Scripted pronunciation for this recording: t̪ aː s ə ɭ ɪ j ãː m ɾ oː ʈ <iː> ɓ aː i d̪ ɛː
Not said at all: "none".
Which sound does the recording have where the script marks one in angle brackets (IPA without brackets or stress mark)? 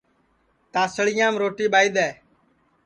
iː